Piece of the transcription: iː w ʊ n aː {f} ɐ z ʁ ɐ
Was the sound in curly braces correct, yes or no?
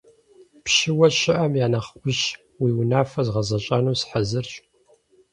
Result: yes